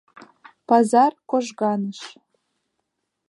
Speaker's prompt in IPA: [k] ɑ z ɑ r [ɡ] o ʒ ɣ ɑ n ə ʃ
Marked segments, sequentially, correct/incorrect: incorrect: p, incorrect: k

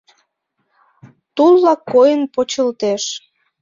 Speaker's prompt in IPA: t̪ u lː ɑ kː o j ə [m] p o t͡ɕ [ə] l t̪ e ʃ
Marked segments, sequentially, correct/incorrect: incorrect: n, correct

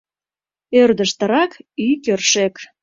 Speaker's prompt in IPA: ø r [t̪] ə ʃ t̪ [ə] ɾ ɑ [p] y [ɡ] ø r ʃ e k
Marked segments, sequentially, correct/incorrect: incorrect: d̪, correct, incorrect: k, incorrect: k

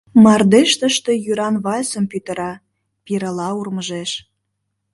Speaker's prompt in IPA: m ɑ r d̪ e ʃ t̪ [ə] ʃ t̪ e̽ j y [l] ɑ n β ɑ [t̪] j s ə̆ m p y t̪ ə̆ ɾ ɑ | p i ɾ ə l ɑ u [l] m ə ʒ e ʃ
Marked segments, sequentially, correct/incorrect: correct, incorrect: ɾ, incorrect: none, incorrect: r

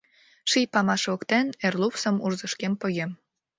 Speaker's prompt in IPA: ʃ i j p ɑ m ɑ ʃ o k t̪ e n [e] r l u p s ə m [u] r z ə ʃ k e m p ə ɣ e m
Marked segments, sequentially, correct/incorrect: correct, correct

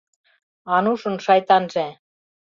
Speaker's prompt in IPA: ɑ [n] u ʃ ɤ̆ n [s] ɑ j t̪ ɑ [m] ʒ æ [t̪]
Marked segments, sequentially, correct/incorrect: correct, incorrect: ʃ, incorrect: n, incorrect: none

